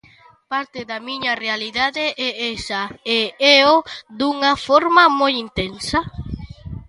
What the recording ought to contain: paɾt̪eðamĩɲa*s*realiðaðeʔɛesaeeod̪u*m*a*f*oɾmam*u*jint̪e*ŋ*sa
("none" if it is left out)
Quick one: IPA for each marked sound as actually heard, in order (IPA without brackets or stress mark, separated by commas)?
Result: none, ŋ, f, o, n